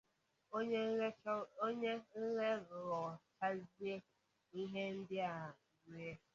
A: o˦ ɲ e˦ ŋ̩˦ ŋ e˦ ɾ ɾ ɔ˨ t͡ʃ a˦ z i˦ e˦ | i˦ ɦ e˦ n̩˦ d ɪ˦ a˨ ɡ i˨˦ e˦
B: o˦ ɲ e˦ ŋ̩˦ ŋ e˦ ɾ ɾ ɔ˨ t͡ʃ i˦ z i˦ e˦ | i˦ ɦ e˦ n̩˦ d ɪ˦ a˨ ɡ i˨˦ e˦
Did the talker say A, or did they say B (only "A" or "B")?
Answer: A